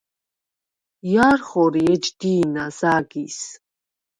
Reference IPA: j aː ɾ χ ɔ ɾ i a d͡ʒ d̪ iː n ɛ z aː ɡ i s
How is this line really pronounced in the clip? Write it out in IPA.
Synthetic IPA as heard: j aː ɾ χ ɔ ɾ i ɛ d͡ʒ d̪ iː n a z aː ɡ i s